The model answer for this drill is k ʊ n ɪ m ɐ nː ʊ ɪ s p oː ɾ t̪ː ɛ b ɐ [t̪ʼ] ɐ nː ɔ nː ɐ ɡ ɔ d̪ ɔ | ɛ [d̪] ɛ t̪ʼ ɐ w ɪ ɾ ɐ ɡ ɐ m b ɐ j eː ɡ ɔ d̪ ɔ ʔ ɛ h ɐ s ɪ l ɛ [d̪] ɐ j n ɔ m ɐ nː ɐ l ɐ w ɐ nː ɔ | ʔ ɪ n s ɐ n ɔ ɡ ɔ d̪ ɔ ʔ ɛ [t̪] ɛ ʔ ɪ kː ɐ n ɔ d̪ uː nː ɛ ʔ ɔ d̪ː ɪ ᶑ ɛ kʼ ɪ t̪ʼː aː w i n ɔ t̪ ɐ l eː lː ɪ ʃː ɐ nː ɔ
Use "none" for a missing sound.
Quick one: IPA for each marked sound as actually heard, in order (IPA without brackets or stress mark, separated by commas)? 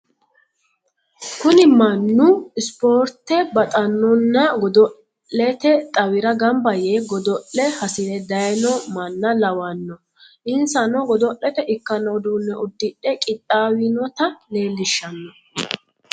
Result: t̪ʼ, t̪, d̪, t̪